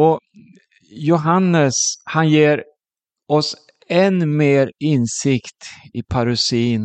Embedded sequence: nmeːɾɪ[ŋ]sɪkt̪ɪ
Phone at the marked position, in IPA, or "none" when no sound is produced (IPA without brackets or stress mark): n